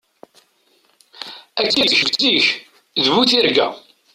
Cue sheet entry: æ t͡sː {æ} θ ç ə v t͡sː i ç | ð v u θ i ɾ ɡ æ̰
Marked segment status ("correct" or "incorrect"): incorrect